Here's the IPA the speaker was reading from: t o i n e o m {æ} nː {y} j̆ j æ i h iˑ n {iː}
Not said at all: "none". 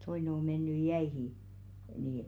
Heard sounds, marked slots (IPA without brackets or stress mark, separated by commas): e, y, iː